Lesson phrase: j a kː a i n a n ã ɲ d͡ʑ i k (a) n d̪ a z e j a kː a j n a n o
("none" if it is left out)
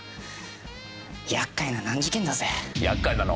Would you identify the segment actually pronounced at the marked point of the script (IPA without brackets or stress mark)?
e